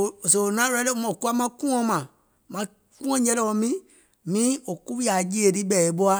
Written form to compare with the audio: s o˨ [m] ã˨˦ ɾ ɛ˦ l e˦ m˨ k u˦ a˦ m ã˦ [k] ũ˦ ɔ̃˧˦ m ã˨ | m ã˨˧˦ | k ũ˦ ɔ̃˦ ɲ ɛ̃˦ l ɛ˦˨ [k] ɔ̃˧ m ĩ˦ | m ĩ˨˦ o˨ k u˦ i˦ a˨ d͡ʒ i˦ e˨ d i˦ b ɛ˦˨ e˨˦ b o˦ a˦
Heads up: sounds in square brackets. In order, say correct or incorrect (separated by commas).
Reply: incorrect, correct, incorrect